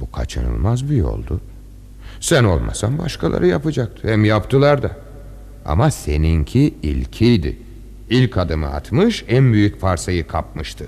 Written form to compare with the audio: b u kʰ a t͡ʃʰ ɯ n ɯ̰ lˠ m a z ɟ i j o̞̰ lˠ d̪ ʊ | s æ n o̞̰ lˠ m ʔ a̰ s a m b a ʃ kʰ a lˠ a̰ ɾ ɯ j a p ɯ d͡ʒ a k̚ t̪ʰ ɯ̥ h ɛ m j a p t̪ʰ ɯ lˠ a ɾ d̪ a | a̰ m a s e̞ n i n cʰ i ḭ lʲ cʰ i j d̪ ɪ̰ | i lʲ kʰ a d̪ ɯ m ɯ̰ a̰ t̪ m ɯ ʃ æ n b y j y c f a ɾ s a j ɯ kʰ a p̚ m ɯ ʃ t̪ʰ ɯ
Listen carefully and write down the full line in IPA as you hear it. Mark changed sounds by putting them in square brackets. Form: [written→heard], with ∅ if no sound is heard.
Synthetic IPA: b u kʰ a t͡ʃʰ ɯ n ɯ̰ lˠ m a z [ɟ→b] i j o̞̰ lˠ d̪ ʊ | s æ n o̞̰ lˠ m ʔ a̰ s a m b a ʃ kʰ a lˠ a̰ ɾ ɯ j a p ɯ d͡ʒ a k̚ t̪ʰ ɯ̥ h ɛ m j a p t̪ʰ ɯ lˠ a ɾ d̪ a | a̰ m a s e̞ n i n cʰ i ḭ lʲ cʰ i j d̪ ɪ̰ | i lʲ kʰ a d̪ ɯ m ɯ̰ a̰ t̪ m ɯ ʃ æ n b y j y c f a ɾ s a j ɯ kʰ a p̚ m ɯ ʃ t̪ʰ ɯ